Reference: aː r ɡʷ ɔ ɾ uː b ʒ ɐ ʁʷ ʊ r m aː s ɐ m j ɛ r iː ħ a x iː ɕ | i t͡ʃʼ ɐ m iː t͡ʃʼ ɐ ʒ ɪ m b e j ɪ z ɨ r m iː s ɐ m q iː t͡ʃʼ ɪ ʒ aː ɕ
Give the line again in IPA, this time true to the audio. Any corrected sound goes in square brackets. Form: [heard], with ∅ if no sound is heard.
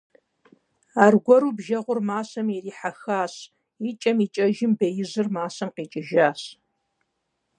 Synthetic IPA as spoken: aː r ɡʷ ɔ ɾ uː b ʒ ɐ ʁʷ ʊ r m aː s ɐ m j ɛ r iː ħ a x [aː] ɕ | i t͡ʃʼ ɐ m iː t͡ʃʼ ɐ ʒ ɪ m b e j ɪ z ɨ r m [aː] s ɐ m q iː t͡ʃʼ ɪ ʒ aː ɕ

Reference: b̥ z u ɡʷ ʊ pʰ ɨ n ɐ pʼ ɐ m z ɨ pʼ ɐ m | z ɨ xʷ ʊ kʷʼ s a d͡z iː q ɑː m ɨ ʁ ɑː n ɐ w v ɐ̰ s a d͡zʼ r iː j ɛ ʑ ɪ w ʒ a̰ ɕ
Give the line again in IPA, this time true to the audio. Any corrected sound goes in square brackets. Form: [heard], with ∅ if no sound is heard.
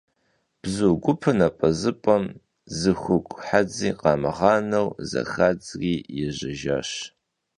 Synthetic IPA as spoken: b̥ z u ɡʷ ʊ pʰ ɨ n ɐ pʼ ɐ [∅] z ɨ pʼ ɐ m | z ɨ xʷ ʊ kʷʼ [ħ] a d͡z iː q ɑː m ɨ ʁ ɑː n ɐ w [z] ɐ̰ [x] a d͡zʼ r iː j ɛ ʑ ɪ [∅] ʒ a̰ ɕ

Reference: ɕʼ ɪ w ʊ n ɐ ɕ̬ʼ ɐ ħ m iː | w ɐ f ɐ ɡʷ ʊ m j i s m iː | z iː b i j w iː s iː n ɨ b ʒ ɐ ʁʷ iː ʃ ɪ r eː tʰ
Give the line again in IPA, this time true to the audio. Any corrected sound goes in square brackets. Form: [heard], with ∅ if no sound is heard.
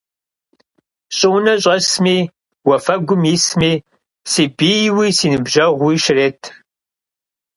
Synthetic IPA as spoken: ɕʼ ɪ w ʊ n ɐ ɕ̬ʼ ɐ [s] m iː | w ɐ f ɐ ɡʷ ʊ m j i s m iː | [s] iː b i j w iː s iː n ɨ b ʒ ɐ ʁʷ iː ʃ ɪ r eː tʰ

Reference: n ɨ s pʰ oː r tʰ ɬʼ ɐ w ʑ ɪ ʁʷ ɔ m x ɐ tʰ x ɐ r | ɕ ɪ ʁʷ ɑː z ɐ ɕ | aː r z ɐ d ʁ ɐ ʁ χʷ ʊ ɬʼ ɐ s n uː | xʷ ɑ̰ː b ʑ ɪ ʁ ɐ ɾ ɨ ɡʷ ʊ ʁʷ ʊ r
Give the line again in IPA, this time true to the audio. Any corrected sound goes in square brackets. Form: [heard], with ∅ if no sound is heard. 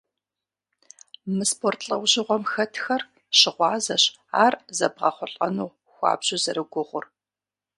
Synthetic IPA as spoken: [m] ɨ s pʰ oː r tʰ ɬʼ ɐ w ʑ ɪ ʁʷ ɔ m x ɐ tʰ x ɐ r | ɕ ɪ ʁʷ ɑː z ɐ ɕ | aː r z ɐ [b] ʁ ɐ [∅] χʷ ʊ ɬʼ ɐ [∅] n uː | xʷ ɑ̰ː b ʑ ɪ [z] ɐ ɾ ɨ ɡʷ ʊ ʁʷ ʊ r

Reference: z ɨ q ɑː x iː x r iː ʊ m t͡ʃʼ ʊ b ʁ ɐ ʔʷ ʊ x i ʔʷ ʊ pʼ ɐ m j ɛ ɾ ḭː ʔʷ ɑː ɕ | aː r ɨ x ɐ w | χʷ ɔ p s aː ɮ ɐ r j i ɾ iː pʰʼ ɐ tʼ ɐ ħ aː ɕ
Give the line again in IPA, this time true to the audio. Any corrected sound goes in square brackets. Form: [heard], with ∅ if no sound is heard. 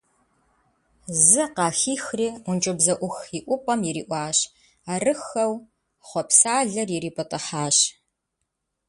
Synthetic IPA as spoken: z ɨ q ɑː x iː x r iː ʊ [n] t͡ʃʼ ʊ b [z] ɐ ʔʷ ʊ x i ʔʷ ʊ pʼ ɐ m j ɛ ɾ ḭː ʔʷ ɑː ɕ | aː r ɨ x ɐ w | χʷ ɔ p s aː ɮ ɐ r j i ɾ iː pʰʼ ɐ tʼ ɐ ħ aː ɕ

